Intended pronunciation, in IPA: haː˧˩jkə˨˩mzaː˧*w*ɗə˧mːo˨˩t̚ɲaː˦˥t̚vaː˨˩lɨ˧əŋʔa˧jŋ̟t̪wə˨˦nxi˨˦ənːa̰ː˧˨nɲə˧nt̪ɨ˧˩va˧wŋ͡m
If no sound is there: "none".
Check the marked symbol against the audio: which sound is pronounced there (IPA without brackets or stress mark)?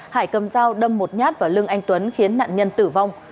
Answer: w